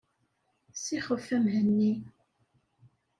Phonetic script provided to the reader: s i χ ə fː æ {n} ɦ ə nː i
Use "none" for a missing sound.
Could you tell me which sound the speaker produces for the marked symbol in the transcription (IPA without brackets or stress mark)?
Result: m